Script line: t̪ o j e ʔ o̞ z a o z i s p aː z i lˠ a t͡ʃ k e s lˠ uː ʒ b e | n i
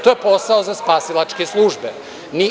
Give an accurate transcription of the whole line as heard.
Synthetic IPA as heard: t̪ o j e p o̞ s a o z a s p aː s i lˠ a t͡ʃ k e s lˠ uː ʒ b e | n i